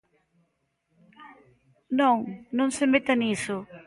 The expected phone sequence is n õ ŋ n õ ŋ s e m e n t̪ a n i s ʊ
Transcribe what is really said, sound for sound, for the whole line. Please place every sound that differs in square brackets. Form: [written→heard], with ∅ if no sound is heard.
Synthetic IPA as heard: n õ ŋ n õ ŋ s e m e [n→∅] t̪ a n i s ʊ